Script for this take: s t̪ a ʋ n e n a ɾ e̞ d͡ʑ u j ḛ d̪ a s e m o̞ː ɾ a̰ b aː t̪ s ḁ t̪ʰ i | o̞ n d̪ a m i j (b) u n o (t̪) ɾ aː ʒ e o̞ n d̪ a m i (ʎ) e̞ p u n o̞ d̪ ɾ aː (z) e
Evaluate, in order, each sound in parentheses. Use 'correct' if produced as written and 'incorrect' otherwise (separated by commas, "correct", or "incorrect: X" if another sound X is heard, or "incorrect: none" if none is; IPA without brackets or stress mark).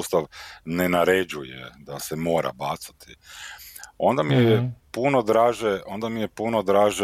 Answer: incorrect: p, incorrect: d̪, incorrect: j, incorrect: ʒ